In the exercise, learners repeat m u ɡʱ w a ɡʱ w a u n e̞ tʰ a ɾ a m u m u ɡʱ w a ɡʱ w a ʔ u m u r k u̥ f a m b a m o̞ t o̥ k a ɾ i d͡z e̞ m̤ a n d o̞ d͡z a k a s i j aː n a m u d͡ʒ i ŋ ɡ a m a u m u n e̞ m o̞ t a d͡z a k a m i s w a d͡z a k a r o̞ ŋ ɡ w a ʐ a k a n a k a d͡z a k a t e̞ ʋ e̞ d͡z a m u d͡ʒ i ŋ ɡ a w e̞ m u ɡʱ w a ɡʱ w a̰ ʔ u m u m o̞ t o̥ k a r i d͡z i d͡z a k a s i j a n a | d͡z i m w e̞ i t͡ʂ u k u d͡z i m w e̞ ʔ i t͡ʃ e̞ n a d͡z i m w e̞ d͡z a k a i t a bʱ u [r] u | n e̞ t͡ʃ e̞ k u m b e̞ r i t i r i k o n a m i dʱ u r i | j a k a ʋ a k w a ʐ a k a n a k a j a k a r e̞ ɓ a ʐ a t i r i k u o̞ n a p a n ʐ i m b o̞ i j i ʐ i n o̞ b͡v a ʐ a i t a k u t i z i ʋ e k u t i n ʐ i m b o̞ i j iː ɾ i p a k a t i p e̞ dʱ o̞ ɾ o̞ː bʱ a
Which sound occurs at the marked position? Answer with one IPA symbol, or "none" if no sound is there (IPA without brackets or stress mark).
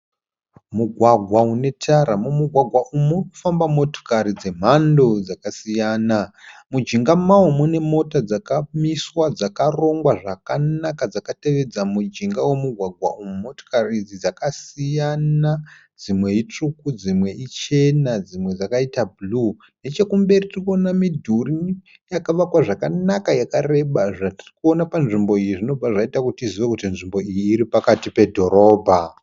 l